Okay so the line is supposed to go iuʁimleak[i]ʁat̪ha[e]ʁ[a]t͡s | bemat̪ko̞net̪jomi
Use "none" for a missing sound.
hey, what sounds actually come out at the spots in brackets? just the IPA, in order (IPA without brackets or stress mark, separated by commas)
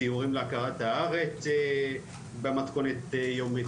a, a, e